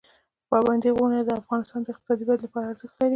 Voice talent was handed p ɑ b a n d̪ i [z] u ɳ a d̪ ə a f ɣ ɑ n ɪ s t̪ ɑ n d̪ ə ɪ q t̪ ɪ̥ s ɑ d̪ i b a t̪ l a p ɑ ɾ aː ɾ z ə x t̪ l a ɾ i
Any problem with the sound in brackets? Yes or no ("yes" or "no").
yes